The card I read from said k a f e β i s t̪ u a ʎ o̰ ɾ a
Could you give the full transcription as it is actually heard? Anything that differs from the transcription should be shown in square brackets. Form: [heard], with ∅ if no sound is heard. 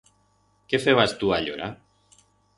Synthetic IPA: k [e] f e β [a] s t̪ u a ʎ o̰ ɾ a